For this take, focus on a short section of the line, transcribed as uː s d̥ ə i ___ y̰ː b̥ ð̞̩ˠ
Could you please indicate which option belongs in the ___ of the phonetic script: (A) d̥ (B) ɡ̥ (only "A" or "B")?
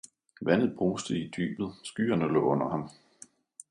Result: A